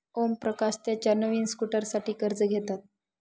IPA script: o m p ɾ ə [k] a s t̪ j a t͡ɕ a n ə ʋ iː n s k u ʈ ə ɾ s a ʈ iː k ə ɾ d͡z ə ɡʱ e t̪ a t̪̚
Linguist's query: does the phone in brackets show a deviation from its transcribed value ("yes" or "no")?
no